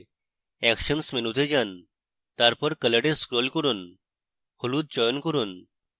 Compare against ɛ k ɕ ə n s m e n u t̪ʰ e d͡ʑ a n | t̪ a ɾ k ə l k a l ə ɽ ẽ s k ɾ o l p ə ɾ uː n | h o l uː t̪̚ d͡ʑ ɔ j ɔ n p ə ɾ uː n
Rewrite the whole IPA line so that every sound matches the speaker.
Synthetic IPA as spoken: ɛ k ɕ ə n s m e n u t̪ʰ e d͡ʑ a n | t̪ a ɾ p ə ɾ k ə l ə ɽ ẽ s k ɾ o l k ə ɾ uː n | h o l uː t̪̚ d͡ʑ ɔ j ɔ n k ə ɾ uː n

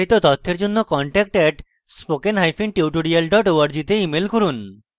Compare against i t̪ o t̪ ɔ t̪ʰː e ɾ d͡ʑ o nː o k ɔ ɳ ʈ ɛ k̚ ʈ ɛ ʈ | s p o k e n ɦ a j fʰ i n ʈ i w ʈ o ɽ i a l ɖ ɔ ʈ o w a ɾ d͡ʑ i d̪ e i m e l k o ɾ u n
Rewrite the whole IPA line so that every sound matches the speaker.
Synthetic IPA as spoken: i t̪ o t̪ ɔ t̪ʰː e ɾ d͡ʑ o nː o k ɔ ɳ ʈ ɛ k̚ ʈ ɛ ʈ | s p o k e n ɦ a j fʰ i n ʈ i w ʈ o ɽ i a l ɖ ɔ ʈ o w a ɾ d͡ʑ i t̪ e i m e l k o ɾ u n

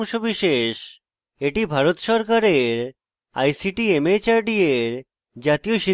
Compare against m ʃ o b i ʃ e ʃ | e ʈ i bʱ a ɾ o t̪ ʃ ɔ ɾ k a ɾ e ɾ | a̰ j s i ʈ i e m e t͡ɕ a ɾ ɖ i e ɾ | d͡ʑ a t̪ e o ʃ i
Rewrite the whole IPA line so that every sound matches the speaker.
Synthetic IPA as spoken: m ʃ o b i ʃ e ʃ | e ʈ i bʱ a ɾ o t̪ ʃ ɔ ɾ k a ɾ e ɾ | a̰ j s i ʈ i e m e t͡ɕ a ɾ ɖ i e ɾ | d͡ʑ a t̪ i o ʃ i

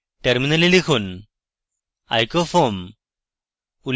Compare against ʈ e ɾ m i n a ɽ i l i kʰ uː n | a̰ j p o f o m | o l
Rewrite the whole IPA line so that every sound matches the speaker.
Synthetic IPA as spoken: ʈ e ɾ m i n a l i l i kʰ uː n | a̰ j k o f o m | u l

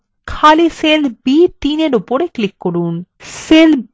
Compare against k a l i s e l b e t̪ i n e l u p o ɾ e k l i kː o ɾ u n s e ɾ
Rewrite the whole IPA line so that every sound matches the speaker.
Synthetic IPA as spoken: kʰ a l i s e l b i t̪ i n e ɾ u p o ɾ e k l i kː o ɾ u n s e l

